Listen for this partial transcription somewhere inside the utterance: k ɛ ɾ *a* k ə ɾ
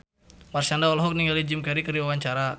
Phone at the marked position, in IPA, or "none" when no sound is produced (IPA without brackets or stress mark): i